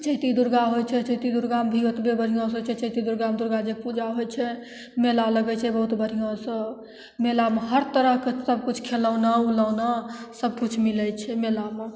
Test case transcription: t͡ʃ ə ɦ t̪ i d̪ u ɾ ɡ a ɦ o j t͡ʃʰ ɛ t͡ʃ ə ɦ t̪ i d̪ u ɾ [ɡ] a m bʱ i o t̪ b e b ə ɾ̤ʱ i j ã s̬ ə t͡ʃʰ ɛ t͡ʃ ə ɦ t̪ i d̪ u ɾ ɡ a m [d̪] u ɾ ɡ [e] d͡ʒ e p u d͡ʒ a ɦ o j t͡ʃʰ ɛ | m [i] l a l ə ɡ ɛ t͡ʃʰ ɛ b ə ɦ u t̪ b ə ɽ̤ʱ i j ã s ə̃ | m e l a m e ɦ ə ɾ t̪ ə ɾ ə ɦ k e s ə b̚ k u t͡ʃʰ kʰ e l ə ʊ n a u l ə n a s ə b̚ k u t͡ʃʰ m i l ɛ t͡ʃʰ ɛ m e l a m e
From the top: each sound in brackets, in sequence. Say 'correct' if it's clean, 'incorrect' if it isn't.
correct, correct, incorrect: a, incorrect: e

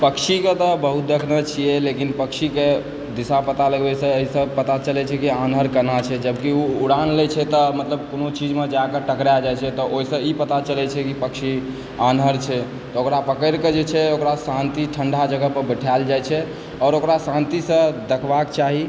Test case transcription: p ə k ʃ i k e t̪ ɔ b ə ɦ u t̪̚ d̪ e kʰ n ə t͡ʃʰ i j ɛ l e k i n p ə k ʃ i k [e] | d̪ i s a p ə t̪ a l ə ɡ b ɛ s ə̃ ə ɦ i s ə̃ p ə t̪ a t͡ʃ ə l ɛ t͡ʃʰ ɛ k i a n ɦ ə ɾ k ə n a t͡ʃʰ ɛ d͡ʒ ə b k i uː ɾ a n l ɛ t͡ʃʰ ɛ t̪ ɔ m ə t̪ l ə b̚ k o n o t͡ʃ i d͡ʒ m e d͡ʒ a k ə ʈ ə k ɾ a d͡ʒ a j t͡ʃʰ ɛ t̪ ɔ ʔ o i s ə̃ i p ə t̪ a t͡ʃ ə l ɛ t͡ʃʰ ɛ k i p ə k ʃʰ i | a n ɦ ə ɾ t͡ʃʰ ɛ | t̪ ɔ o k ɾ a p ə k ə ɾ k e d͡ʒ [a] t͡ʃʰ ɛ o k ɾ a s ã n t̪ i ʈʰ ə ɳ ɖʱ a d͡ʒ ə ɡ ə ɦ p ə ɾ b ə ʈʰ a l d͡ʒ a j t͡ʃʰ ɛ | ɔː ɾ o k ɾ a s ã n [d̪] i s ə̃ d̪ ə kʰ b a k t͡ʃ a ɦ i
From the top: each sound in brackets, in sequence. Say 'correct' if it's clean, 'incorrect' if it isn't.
correct, incorrect: e, incorrect: t̪

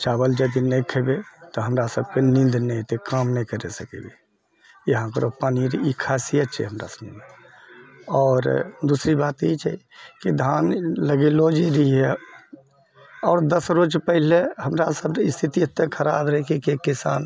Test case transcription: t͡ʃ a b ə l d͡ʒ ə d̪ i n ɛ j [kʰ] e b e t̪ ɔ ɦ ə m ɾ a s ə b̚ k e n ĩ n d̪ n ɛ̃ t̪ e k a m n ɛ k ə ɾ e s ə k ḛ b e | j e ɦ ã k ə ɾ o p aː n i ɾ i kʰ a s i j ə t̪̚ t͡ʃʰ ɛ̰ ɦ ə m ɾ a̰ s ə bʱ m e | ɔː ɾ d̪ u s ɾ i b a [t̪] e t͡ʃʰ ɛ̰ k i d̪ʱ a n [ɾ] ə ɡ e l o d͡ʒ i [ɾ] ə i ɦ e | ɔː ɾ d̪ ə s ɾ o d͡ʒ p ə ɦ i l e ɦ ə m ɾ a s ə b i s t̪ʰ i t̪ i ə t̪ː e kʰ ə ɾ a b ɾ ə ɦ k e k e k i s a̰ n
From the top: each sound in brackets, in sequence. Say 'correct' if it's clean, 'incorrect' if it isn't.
correct, correct, incorrect: l, correct

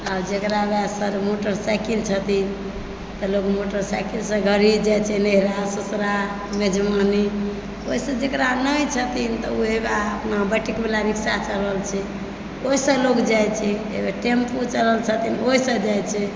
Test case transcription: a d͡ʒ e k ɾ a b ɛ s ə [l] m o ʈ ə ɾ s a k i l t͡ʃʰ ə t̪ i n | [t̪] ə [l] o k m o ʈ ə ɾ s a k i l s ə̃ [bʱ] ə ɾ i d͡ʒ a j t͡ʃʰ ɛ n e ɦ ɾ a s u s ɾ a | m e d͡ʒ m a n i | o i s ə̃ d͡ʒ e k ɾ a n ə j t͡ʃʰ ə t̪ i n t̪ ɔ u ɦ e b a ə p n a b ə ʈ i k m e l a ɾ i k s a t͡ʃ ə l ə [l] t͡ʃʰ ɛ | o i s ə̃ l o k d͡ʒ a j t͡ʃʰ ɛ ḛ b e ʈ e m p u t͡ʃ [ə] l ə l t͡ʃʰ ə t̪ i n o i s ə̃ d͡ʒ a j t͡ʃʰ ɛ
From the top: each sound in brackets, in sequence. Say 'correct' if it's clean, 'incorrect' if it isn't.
incorrect: ɾ, correct, correct, incorrect: ɡʱ, correct, correct

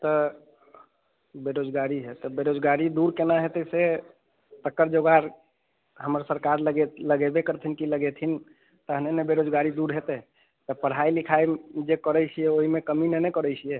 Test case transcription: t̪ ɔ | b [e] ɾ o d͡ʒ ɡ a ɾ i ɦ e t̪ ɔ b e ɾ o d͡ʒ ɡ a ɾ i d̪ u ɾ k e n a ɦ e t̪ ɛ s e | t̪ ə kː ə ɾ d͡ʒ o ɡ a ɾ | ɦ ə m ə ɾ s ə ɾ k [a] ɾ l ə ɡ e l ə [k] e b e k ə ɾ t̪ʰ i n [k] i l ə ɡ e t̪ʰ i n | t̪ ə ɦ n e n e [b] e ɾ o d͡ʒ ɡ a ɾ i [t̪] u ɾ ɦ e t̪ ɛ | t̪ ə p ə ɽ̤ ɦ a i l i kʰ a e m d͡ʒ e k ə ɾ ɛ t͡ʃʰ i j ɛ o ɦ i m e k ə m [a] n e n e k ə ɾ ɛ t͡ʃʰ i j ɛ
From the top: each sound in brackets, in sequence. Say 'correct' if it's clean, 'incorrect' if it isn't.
correct, correct, incorrect: ɡ, correct, correct, incorrect: d̪, incorrect: i

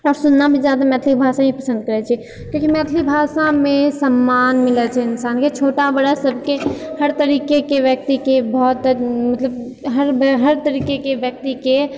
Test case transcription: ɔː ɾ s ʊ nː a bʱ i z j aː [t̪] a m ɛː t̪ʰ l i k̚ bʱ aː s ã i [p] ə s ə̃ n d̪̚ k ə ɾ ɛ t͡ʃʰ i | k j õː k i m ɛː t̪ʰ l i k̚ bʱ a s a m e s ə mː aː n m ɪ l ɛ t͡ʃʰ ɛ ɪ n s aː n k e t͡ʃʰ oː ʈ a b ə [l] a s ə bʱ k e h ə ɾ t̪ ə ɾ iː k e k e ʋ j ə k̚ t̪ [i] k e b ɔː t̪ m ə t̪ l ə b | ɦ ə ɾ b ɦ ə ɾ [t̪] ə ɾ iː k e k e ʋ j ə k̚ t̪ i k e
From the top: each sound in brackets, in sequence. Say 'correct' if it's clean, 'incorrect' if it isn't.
incorrect: d̪, correct, incorrect: ɽ, correct, correct

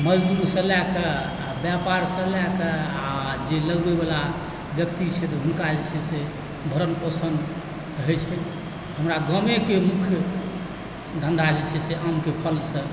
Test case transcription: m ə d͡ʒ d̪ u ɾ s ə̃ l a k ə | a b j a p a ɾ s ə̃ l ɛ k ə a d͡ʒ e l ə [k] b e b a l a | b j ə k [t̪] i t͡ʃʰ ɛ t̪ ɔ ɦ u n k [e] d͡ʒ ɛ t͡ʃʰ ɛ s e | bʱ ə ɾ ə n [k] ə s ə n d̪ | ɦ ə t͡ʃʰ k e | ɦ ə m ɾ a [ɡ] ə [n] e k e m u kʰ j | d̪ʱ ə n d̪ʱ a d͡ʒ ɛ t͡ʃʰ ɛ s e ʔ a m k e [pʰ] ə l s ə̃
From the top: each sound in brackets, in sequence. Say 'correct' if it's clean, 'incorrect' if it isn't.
incorrect: ɡ, correct, incorrect: a, incorrect: p, correct, incorrect: m, correct

